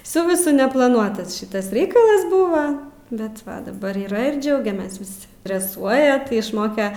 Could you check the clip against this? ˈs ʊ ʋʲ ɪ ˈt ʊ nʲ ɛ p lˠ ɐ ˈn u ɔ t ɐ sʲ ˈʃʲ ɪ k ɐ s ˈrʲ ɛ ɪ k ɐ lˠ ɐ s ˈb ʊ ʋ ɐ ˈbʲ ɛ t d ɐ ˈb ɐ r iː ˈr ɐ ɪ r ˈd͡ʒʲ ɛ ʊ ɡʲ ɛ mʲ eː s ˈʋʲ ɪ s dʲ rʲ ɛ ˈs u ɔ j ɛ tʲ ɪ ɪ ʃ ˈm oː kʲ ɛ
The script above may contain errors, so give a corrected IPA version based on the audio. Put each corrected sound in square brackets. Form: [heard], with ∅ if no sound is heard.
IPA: ˈs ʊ ʋʲ ɪ [ˈs] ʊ nʲ ɛ p lˠ ɐ ˈn u ɔ t ɐ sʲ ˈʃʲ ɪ [t] ɐ s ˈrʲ ɛ ɪ k ɐ lˠ ɐ s ˈb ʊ ʋ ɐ ˈbʲ ɛ t d ɐ ˈb ɐ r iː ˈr ɐ ɪ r ˈd͡ʒʲ ɛ ʊ ɡʲ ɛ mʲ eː s ˈʋʲ ɪ s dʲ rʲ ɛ ˈs u ɔ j ɛ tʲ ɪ ɪ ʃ ˈm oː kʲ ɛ